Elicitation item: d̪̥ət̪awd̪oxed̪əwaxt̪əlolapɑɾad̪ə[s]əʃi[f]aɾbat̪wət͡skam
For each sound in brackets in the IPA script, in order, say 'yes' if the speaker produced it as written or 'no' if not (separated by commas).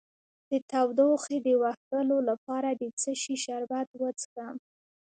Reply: no, no